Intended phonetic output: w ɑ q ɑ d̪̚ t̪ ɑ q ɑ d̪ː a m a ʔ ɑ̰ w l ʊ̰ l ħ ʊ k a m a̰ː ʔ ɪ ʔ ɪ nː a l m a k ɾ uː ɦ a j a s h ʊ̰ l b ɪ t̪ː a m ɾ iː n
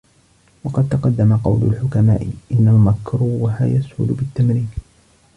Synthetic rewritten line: w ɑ q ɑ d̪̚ t̪ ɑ q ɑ d̪ː a m a q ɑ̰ w l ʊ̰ l ħ ʊ k a m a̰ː ʔ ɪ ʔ ɪ nː a l m a k ɾ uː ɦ a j a s h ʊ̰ l b ɪ t̪ː a m ɾ iː n